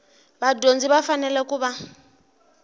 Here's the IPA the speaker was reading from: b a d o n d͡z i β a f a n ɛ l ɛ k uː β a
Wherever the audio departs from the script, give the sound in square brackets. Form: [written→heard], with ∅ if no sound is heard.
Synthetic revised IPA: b a d o n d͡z i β a f a n ɛ l ɛ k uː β a